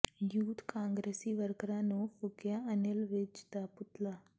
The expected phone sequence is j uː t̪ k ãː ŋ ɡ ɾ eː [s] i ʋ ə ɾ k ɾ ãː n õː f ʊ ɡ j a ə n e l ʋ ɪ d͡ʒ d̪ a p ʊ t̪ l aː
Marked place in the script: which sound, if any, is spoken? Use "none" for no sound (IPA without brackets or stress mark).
s